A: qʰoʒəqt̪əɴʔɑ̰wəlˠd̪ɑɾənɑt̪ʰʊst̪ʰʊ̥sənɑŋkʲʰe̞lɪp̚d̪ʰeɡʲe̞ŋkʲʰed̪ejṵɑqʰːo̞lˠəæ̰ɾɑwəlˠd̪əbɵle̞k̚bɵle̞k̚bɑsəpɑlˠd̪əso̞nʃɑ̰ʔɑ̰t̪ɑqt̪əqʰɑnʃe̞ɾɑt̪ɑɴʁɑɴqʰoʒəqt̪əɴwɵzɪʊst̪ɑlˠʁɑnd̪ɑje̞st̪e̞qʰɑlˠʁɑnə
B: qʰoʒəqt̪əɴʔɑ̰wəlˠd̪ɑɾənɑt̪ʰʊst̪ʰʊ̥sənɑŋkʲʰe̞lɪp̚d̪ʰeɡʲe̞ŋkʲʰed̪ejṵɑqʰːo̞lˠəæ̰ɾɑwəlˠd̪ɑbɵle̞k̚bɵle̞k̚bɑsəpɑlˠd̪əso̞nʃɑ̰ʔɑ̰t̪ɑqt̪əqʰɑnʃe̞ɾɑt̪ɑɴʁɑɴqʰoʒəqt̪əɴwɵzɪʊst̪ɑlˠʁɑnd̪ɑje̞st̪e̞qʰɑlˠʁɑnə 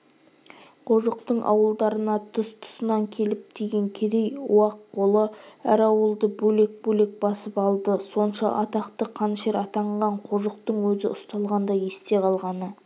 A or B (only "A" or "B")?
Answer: A